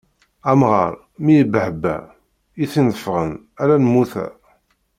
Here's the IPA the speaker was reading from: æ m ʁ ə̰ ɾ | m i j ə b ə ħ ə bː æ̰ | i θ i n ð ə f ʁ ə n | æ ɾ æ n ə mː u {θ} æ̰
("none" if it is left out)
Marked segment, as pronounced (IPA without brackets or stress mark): θ